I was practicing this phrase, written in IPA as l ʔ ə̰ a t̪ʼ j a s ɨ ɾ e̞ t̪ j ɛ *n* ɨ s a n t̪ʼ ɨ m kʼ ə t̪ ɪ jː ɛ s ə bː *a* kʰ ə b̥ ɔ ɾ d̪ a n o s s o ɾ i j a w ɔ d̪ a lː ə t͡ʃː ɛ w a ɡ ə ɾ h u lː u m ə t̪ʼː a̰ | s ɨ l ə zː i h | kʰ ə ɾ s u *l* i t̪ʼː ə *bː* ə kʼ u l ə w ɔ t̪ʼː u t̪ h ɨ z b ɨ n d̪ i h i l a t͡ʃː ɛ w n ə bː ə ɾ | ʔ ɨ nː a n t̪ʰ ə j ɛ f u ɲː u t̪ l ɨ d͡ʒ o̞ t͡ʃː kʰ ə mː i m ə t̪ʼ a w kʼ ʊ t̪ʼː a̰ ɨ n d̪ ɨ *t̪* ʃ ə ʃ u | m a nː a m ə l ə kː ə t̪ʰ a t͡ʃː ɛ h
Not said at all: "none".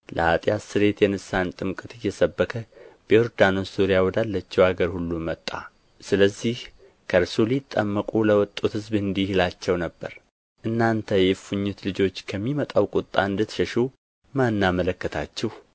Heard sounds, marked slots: n, ə, l, mː, t̪

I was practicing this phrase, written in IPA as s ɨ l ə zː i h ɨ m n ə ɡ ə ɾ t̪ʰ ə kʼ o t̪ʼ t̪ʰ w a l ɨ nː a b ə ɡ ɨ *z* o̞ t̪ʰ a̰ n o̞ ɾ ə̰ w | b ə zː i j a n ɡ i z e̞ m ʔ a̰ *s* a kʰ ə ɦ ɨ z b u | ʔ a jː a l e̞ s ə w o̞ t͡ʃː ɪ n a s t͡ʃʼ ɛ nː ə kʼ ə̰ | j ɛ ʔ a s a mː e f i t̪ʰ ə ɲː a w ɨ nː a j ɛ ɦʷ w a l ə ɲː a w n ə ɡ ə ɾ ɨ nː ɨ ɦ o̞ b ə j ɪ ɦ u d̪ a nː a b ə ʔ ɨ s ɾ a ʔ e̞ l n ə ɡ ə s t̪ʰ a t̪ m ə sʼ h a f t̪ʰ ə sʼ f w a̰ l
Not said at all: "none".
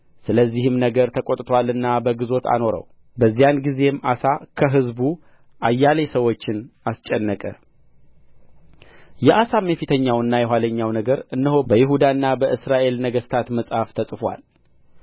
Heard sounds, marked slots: z, s

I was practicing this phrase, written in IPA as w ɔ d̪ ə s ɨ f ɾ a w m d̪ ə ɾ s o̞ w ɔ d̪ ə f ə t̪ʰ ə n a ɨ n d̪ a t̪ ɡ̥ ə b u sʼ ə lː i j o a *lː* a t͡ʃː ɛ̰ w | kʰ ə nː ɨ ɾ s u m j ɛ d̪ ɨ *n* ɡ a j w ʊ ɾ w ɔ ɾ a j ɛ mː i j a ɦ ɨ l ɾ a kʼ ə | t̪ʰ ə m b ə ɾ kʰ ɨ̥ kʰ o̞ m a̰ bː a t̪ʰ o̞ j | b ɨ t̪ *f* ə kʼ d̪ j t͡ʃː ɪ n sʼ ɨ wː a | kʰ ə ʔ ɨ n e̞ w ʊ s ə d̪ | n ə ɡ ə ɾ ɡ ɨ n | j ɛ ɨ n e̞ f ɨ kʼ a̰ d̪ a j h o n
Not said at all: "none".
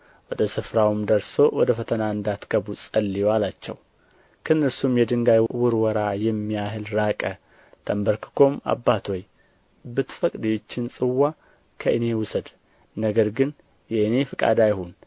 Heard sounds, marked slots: l, ŋ, f

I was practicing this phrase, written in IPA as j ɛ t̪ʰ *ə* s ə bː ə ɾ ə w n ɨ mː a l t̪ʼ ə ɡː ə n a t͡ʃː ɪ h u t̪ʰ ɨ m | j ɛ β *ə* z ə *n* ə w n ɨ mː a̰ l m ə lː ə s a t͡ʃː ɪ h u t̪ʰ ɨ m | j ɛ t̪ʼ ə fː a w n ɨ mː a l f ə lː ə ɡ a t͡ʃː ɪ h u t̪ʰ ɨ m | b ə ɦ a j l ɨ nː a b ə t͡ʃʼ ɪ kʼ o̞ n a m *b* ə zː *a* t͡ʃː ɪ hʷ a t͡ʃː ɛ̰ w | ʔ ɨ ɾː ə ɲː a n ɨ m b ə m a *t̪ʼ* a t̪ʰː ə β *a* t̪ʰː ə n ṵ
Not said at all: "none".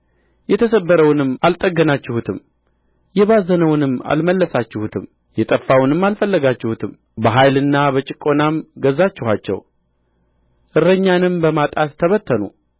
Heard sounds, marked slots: ə, a, n, ɡ, a, t̪ʼ, ə

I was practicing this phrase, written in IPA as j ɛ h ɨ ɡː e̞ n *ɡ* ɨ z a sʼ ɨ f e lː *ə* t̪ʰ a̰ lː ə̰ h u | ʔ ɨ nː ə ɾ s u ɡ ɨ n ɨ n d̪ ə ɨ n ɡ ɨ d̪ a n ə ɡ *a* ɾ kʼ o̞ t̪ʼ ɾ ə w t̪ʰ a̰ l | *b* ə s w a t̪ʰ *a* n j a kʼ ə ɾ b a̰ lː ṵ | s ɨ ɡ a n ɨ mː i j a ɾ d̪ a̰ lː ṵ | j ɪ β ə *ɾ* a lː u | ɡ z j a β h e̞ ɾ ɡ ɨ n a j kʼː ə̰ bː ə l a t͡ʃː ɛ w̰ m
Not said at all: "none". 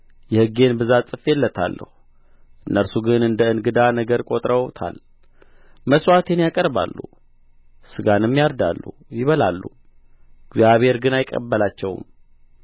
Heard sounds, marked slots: b, ə, ə, m, e, l

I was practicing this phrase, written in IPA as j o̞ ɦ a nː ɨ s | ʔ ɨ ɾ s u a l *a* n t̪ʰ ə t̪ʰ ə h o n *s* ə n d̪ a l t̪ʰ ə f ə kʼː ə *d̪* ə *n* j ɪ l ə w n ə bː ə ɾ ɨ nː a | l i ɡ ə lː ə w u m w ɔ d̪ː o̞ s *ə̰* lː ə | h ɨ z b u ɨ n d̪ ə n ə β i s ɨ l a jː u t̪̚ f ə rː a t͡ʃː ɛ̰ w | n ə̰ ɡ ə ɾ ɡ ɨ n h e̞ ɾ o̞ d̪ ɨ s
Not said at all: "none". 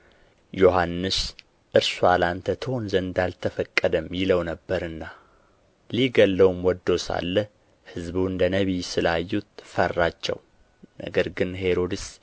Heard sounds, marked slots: a, z, d̪, m, a̰

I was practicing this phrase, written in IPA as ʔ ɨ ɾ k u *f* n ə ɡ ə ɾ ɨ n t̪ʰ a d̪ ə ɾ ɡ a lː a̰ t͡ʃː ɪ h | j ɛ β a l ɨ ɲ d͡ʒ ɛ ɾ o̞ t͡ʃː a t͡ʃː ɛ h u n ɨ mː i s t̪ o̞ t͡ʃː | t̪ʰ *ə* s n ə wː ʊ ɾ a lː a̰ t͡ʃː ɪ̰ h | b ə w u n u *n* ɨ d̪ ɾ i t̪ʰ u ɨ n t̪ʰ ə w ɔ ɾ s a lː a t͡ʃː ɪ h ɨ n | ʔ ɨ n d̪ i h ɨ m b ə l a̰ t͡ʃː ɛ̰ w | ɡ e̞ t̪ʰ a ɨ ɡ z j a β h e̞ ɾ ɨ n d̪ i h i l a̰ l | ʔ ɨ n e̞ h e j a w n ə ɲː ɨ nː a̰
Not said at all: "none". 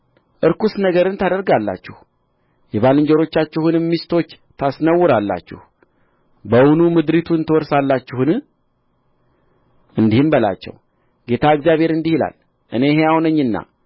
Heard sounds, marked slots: s, a, m

